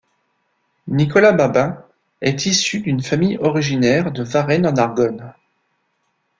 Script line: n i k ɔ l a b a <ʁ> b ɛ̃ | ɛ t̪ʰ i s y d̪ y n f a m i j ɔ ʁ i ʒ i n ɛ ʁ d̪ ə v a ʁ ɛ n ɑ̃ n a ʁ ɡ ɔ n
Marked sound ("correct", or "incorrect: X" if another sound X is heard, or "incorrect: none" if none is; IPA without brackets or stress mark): incorrect: none